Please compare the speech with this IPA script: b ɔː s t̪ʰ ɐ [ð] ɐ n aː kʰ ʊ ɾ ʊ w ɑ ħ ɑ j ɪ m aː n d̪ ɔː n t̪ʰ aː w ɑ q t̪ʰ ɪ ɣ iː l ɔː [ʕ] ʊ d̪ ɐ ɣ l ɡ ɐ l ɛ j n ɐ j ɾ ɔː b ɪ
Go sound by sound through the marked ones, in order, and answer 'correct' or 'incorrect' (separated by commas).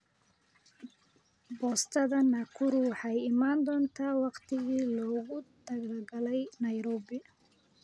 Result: correct, incorrect